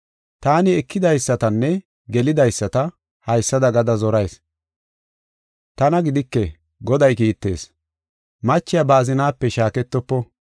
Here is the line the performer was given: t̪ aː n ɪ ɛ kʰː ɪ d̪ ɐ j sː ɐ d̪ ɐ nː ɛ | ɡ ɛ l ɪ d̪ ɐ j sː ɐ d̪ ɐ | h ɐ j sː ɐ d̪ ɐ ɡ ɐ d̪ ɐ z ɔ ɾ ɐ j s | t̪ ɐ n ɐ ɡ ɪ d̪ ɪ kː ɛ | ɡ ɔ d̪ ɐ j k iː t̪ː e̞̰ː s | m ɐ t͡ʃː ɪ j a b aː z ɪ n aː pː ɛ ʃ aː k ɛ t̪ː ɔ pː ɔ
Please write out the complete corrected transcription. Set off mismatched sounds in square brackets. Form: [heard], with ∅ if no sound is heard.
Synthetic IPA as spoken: t̪ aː n ɪ ɛ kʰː ɪ d̪ ɐ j sː ɐ [t̪] ɐ nː ɛ | ɡ ɛ l ɪ d̪ ɐ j sː ɐ [t̪] ɐ | h ɐ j sː ɐ d̪ ɐ ɡ ɐ d̪ ɐ z ɔ ɾ ɐ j s | t̪ ɐ n ɐ ɡ ɪ d̪ ɪ kː ɛ | ɡ ɔ d̪ ɐ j k iː t̪ː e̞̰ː s | m ɐ t͡ʃː ɪ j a b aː z ɪ n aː pː ɛ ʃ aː k ɛ t̪ː ɔ pː ɔ